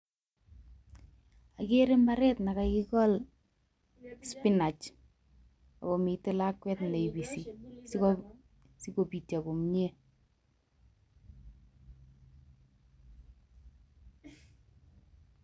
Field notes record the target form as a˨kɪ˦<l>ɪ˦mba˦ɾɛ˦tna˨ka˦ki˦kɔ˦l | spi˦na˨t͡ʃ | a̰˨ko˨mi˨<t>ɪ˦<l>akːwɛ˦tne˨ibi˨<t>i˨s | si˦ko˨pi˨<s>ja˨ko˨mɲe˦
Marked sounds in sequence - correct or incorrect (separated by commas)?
incorrect, correct, correct, incorrect, incorrect